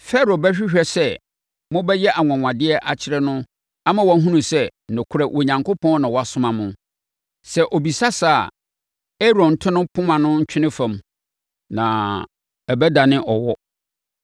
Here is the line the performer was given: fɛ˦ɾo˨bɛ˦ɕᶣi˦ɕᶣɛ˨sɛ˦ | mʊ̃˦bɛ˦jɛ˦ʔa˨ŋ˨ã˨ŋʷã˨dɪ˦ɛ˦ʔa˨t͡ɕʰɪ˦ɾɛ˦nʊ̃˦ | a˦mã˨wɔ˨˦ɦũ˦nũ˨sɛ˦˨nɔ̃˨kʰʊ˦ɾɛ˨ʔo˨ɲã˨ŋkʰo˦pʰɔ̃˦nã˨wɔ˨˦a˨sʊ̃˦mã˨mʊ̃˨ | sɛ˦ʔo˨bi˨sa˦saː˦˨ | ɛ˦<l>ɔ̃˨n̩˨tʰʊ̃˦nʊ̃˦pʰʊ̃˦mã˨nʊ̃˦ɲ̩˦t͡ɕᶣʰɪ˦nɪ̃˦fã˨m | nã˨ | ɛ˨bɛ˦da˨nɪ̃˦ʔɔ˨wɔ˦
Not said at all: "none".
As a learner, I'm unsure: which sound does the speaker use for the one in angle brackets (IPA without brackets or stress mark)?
ɾ